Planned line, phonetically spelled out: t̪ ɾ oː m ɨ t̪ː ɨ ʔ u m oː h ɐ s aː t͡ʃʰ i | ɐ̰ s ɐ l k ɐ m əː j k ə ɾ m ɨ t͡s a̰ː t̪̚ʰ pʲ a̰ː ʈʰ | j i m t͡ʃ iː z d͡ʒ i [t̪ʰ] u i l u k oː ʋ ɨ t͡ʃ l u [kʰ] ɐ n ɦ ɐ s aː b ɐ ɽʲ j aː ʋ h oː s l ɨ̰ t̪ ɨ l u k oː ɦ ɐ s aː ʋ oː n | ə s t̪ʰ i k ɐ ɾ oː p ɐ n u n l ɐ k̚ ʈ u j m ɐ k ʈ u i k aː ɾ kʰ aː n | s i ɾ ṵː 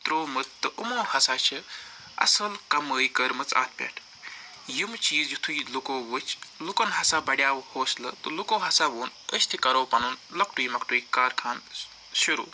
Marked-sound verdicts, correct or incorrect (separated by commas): correct, incorrect